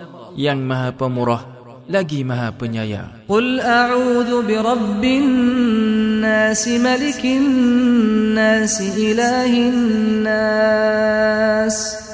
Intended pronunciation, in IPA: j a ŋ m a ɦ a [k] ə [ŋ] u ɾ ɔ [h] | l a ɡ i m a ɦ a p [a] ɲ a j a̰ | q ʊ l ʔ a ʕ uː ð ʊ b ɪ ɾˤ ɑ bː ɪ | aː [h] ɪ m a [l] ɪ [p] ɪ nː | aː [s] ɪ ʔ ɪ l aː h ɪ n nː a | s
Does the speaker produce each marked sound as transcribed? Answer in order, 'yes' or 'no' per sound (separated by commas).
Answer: no, no, yes, no, no, yes, no, yes